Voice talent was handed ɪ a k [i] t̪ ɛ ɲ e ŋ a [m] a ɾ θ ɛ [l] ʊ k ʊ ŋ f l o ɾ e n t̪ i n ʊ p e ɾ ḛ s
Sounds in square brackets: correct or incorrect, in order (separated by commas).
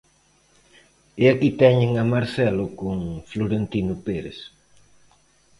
correct, correct, correct